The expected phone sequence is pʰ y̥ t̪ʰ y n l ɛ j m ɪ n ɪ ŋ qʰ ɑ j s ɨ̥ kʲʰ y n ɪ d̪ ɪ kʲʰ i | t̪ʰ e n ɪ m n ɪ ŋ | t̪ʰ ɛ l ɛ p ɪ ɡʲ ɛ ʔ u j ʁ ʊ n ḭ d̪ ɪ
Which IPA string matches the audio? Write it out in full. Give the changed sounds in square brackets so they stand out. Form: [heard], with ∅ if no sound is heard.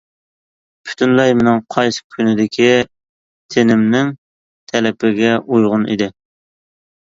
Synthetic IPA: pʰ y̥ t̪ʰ y n l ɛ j m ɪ n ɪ ŋ qʰ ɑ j s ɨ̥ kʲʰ y n ɪ d̪ ɪ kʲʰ i | t̪ʰ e n ɪ m n ɪ ŋ | t̪ʰ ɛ l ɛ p ɪ ɡʲ ɛ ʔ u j ʁ ʊ n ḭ d̪ ɪ